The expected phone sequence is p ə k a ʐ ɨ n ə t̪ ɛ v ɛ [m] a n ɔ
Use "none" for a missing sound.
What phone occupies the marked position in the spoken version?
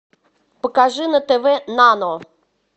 n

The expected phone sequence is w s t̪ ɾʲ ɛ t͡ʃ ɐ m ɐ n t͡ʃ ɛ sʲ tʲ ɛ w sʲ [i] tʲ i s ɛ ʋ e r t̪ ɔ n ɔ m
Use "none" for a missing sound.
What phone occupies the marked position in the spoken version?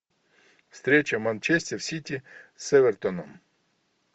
i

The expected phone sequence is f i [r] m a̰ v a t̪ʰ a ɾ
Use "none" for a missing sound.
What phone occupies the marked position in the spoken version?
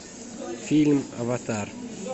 l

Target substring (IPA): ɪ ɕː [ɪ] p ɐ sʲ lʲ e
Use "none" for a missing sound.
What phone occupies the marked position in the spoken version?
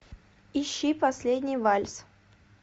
i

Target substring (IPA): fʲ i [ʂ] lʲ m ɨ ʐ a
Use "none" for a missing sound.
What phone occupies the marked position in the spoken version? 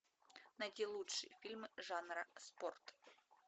none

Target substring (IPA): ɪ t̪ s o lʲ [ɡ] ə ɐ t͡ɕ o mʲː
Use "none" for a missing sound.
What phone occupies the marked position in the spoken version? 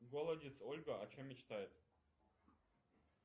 ɡ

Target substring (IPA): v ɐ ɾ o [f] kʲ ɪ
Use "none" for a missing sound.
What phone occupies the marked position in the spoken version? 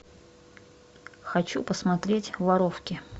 f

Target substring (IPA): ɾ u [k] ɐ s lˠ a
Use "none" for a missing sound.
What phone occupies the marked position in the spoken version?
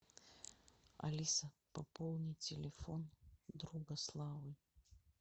ɡ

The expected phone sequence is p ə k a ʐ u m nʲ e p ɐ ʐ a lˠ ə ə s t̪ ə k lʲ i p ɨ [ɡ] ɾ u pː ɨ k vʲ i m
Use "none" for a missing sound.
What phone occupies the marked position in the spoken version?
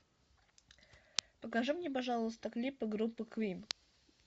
ɡ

